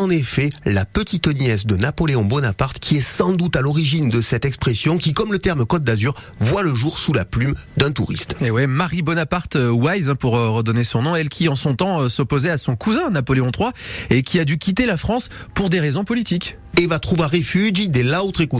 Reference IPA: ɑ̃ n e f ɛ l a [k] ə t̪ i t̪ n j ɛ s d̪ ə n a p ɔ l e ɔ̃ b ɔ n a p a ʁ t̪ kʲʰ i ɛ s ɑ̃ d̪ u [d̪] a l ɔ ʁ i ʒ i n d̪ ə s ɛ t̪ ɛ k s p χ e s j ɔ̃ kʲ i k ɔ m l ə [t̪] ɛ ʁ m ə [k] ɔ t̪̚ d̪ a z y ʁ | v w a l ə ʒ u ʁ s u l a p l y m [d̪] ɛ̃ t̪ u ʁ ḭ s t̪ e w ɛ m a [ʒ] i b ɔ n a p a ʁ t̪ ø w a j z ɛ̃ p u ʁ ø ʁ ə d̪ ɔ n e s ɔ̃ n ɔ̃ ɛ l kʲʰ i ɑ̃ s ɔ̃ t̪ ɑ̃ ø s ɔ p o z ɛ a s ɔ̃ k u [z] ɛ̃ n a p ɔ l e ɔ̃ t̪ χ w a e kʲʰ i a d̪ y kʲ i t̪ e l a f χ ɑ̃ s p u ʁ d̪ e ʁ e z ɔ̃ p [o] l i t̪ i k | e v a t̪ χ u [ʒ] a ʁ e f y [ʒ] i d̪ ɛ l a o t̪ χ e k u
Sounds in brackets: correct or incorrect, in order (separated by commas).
incorrect, incorrect, correct, correct, correct, incorrect, correct, incorrect, incorrect, correct